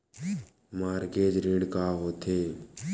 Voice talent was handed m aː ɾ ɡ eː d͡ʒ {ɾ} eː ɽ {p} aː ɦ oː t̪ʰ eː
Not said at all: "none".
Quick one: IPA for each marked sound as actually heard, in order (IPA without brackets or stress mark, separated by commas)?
ɾ, k